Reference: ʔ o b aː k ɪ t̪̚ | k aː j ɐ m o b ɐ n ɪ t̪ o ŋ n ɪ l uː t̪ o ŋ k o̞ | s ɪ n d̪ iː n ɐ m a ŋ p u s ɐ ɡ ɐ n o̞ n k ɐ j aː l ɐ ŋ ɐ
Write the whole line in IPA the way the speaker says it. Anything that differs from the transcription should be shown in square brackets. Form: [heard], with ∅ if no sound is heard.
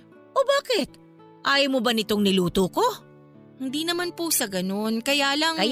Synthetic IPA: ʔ o b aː k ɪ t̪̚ | [ʔ] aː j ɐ m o b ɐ n ɪ t̪ o ŋ n ɪ l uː t̪ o [∅] k o̞ | [h] ɪ n d̪ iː n ɐ m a [n] p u s ɐ ɡ ɐ n o̞ n k ɐ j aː l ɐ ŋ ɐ